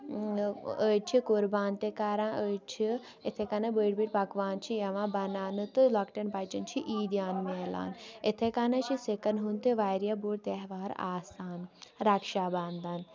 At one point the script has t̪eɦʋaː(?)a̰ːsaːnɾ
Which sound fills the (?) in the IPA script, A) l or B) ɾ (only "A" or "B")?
B